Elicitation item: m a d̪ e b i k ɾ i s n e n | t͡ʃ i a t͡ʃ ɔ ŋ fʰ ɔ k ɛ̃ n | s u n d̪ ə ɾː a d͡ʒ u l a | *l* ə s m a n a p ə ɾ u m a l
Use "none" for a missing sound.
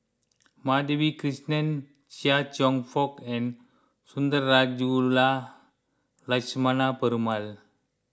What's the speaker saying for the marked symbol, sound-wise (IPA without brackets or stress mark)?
l